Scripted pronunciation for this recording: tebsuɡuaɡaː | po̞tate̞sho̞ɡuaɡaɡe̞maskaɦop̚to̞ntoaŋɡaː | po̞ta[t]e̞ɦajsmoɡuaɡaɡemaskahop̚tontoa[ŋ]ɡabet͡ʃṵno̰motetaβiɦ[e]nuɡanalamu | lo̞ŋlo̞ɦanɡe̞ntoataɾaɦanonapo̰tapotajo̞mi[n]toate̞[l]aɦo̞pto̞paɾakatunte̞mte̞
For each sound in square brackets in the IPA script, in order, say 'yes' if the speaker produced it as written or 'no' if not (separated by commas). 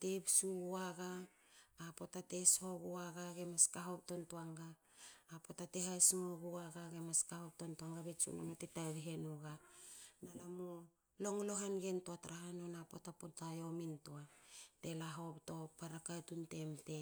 yes, yes, yes, yes, yes